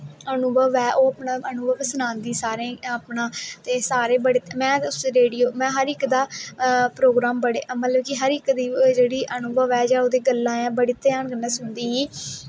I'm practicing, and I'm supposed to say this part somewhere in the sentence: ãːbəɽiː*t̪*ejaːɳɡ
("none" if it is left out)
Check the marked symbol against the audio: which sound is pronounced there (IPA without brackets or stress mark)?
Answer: t̪